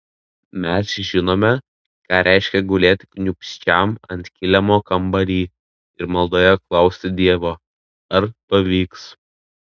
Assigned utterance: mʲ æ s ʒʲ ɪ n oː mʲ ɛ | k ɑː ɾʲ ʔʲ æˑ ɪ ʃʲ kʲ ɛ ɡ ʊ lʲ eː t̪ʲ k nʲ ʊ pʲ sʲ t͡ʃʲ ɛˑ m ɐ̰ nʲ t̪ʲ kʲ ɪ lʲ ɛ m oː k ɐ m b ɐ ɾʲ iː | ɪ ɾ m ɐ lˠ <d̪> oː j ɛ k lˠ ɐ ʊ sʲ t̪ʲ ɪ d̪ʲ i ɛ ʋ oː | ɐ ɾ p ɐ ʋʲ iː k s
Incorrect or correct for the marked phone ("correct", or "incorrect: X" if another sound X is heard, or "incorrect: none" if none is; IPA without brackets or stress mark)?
correct